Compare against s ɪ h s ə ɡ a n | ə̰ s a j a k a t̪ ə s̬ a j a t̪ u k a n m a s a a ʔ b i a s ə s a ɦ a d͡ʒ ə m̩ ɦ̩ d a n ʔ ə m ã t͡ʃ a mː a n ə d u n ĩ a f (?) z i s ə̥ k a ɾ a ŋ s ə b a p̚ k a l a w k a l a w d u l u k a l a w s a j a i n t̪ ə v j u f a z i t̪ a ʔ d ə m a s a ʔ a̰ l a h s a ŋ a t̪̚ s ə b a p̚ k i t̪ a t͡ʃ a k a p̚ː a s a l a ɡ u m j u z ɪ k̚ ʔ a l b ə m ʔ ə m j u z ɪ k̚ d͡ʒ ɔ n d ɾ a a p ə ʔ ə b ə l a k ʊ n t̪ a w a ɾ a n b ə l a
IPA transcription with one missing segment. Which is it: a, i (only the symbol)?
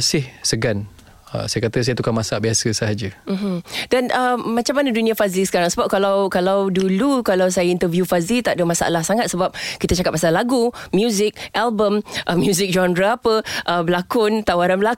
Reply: a